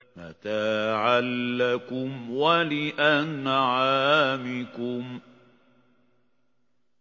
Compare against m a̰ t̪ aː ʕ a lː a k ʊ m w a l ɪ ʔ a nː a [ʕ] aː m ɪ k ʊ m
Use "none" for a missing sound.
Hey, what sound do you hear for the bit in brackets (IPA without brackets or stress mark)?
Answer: ʕ